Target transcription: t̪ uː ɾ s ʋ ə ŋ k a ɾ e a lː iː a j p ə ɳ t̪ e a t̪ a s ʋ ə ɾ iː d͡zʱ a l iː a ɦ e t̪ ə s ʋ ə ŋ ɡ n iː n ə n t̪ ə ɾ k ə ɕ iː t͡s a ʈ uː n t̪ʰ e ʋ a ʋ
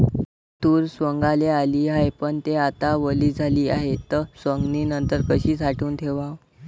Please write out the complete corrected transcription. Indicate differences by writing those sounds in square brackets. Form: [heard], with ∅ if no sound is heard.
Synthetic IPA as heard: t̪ uː ɾ s ʋ ə ŋ [ɡ] a [l] e a [l] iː a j p ə ɳ t̪ e a t̪ a [∅] ʋ ə [l] iː d͡zʱ a l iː a ɦ e t̪ ə s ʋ ə ŋ ɡ n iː n ə n t̪ ə ɾ k ə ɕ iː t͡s a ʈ uː n t̪ʰ e ʋ a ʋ

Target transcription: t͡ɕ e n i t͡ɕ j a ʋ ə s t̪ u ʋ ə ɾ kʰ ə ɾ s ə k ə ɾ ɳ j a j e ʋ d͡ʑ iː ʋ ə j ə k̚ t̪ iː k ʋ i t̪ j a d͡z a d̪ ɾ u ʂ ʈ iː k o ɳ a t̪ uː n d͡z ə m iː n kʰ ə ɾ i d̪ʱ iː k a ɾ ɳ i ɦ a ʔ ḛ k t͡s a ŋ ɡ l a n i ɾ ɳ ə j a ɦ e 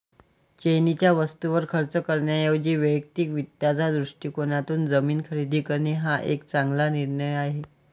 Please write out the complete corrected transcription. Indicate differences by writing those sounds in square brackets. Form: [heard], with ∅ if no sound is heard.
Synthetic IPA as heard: t͡ɕ e n i t͡ɕ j a ʋ ə s t̪ u ʋ ə ɾ kʰ ə ɾ [t͡s] ə k ə ɾ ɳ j a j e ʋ d͡ʑ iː ʋ ə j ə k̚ t̪ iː k ʋ i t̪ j a d͡z a d̪ ɾ u ʂ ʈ iː k o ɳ a t̪ uː n d͡z ə m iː n kʰ ə ɾ i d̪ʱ iː k [ə] ɾ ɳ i ɦ a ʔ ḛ k t͡s a ŋ ɡ l a n i ɾ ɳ ə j a ɦ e

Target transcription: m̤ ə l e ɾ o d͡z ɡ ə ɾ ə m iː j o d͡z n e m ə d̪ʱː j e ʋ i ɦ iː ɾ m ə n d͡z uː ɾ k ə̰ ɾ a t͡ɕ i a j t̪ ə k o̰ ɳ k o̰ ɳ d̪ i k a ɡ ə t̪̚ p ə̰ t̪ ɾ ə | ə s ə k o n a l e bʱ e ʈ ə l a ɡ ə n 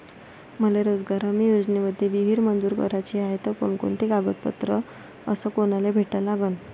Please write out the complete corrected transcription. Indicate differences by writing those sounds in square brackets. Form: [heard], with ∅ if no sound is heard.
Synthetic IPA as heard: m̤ ə l e ɾ o d͡z ɡ [a] ɾ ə m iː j o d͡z n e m ə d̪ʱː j e ʋ i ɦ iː ɾ m ə n d͡z uː ɾ k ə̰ ɾ a t͡ɕ i a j t̪ ə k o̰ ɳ k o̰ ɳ [t̪] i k a ɡ ə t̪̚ p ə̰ t̪ ɾ ə | ə s ə k o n a l e bʱ e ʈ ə l a ɡ ə n

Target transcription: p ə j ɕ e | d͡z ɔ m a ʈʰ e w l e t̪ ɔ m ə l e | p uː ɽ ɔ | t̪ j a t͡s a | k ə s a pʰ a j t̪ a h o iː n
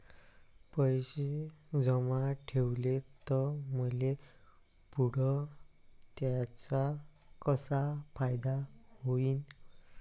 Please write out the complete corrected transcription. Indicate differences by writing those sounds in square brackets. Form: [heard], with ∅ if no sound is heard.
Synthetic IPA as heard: p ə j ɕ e | d͡z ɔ m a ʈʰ e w l e t̪ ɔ m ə l e | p [u] ɽ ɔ | t̪ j a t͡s a | k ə s a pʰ a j [d̪] a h o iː n

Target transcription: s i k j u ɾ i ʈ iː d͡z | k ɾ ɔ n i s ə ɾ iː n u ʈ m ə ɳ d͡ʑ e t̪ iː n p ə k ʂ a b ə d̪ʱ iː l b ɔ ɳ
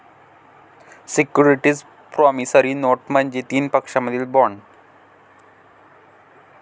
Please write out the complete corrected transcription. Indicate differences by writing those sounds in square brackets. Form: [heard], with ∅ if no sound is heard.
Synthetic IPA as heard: s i k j u ɾ i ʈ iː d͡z | [p] ɾ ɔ [m] i s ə ɾ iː n [o] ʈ m ə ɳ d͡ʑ e t̪ iː n p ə k ʂ a [m] ə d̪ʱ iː l b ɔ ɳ

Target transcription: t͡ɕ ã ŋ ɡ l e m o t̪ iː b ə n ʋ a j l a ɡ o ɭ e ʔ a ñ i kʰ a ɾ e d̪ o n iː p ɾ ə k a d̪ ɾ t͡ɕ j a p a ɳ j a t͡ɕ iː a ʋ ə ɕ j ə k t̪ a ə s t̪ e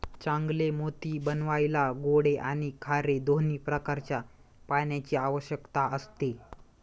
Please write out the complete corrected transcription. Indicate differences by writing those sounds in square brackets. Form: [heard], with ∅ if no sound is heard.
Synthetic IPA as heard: t͡ɕ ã ŋ ɡ l e m o t̪ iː b ə n ʋ a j l a ɡ o [ɽ] e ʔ a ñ i kʰ a ɾ e d̪ o n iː p ɾ ə k a [∅] ɾ t͡ɕ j a p a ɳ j a t͡ɕ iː a ʋ ə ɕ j ə k t̪ a ə s t̪ e

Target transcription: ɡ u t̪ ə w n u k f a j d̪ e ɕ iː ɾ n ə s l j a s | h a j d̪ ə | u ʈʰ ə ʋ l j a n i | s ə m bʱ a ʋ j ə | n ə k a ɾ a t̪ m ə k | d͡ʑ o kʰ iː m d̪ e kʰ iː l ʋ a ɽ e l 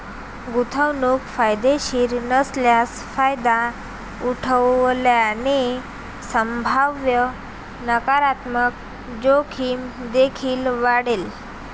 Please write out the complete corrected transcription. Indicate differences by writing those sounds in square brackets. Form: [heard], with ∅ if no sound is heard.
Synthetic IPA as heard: ɡ u [t̪ʰ] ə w n u k f a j d̪ e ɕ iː ɾ n ə s l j a s | [f] a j d̪ [a] | u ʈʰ ə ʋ l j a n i | s ə m bʱ a ʋ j ə | n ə k a ɾ a t̪ m ə k | d͡ʑ o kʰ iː m d̪ e kʰ iː l ʋ a ɽ e l

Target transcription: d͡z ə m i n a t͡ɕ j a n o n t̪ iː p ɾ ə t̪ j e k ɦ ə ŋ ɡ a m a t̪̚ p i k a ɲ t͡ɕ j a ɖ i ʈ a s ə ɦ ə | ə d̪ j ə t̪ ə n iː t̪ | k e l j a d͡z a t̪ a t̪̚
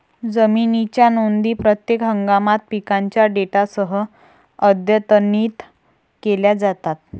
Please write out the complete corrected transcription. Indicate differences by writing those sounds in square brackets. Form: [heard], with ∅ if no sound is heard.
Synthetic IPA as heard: d͡z ə m i n [i] t͡ɕ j a n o n [d̪] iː p ɾ ə t̪ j e k ɦ ə ŋ ɡ a m a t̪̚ p i k a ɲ t͡ɕ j a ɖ [e] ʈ a s ə ɦ ə | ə d̪ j ə t̪ ə n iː t̪ | k e l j a d͡z a t̪ a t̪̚

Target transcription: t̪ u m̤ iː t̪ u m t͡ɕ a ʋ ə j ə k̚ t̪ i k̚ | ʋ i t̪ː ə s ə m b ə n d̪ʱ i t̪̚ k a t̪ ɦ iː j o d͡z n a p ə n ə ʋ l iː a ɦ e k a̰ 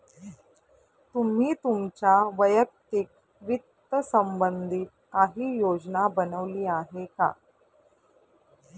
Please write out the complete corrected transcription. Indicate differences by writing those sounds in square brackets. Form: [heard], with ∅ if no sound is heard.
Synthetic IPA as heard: t̪ u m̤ iː t̪ u m t͡ɕ a ʋ ə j ə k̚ t̪ i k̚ | ʋ i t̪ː ə s ə m b ə n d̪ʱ i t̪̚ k a [∅] ɦ iː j o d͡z n a [b] ə n ə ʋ l iː a ɦ e k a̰

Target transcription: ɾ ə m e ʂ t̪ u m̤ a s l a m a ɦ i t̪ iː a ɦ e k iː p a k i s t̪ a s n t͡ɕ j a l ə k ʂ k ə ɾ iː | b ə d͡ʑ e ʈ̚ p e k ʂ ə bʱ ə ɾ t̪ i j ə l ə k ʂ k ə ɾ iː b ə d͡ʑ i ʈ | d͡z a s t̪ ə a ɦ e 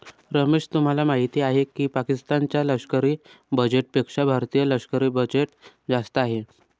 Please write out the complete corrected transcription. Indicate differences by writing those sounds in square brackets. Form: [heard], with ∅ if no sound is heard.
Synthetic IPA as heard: ɾ ə m e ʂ t̪ u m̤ a [∅] l a m a ɦ i t̪ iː a ɦ e k iː p a k i s t̪ a [∅] n t͡ɕ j a l ə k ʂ k ə ɾ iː | b ə d͡ʑ e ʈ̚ p e k ʂ [a] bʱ [a] ɾ t̪ i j ə l ə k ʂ k ə ɾ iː b ə d͡ʑ [e] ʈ | d͡z a s t̪ ə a ɦ e

